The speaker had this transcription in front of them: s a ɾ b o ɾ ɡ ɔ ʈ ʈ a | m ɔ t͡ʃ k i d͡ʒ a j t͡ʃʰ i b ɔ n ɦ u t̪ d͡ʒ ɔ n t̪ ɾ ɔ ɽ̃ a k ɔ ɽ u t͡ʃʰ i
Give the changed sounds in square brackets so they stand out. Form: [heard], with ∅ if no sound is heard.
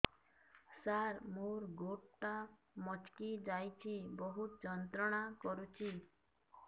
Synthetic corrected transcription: s a ɾ [m] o ɾ ɡ [o] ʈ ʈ a | m ɔ t͡ʃ k i d͡ʒ a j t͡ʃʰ i b ɔ [∅] ɦ u t̪ d͡ʒ ɔ n t̪ ɾ ɔ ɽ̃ a k ɔ [ɾ] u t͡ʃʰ i